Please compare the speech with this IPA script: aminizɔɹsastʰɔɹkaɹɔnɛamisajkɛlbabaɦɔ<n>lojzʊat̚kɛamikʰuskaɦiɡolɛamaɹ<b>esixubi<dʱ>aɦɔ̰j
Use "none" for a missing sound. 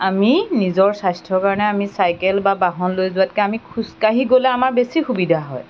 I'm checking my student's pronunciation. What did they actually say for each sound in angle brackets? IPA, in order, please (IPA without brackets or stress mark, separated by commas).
n, b, dʱ